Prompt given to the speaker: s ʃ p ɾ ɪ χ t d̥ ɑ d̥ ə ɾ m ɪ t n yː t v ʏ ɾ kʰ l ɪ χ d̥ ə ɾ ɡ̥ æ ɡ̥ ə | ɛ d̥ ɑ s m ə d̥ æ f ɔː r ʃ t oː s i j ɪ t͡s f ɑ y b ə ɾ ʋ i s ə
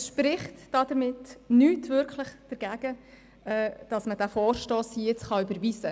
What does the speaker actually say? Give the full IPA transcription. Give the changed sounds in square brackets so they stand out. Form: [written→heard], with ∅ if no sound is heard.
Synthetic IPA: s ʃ p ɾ ɪ χ t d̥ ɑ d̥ ə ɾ m ɪ t n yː t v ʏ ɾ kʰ l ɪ χ d̥ ə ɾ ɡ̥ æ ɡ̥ ə | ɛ d̥ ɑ s m ə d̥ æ f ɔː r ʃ t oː s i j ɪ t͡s [f→χ] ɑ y b ə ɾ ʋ i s ə